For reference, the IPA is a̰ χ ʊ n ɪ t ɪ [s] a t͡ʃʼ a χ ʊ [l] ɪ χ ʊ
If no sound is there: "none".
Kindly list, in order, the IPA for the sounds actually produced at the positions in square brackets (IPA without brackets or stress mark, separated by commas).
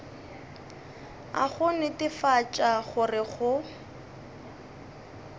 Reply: f, r